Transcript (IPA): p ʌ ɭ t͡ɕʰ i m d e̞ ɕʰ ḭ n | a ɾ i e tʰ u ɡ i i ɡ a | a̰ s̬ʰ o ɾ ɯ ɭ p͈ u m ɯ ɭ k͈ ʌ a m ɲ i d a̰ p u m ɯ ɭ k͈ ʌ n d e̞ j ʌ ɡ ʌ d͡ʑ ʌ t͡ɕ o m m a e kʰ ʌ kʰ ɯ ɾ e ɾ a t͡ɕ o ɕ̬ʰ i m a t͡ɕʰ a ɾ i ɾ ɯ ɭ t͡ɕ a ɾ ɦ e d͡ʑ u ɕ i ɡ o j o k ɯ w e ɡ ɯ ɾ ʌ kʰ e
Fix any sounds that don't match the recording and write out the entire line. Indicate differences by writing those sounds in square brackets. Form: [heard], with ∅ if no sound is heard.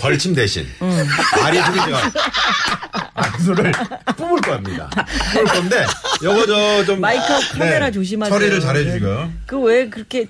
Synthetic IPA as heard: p ʌ ɭ t͡ɕʰ i m d e̞ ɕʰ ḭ n | a ɾ i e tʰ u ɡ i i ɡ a | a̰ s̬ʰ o ɾ ɯ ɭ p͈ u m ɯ ɭ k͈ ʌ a m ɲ i d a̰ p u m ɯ ɭ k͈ ʌ n d e̞ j ʌ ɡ ʌ d͡ʑ ʌ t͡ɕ o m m a [i] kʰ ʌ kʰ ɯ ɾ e ɾ a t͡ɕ o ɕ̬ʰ i m a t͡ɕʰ [ʌ] ɾ i ɾ ɯ ɭ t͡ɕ a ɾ ɦ e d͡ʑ u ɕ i ɡ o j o k ɯ w e [k] ɯ ɾ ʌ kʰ e